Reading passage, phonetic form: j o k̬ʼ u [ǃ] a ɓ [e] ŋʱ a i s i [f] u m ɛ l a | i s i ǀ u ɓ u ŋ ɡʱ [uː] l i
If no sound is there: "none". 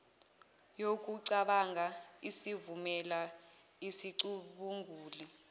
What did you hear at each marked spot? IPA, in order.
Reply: ǀ, a, v, uː

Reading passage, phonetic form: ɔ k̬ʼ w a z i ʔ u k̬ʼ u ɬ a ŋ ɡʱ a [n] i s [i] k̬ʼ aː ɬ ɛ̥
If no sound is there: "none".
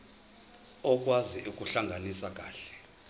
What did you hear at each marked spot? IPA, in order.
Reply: n, a

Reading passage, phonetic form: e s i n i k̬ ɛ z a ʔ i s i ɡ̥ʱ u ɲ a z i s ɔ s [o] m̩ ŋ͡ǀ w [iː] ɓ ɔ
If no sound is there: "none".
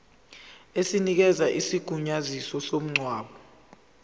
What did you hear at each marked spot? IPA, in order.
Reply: o, aː

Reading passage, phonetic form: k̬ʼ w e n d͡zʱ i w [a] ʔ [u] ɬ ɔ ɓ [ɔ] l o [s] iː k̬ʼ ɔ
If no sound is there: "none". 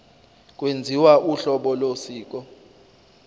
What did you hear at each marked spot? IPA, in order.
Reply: a, u, ɔ, s

